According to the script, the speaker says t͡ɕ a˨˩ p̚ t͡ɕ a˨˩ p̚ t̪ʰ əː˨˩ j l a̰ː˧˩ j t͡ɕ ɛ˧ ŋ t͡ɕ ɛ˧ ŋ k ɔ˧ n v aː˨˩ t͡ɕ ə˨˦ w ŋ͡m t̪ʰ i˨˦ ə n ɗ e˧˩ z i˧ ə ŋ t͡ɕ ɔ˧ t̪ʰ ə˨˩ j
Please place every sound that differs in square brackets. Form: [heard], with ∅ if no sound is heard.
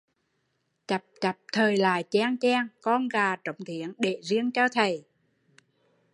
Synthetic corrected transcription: t͡ɕ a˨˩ p̚ t͡ɕ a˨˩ p̚ t̪ʰ əː˨˩ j l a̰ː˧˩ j t͡ɕ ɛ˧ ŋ t͡ɕ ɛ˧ ŋ k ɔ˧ n [ɣ] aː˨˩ t͡ɕ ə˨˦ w ŋ͡m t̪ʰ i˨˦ ə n ɗ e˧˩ z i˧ ə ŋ t͡ɕ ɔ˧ t̪ʰ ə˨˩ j